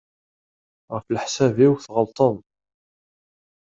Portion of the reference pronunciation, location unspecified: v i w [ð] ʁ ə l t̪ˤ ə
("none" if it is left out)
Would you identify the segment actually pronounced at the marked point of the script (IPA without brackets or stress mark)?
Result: θ